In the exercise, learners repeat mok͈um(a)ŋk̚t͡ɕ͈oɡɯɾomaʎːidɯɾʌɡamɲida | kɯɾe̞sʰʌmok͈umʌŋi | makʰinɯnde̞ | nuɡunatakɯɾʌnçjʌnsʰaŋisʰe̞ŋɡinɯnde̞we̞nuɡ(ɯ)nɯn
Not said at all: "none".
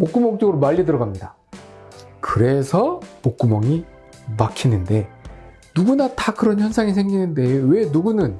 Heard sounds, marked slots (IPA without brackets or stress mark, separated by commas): ʌ, u